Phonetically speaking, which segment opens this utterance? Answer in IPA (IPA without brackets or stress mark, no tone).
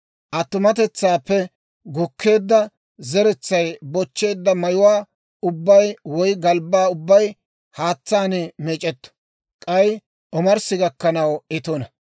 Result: ʔ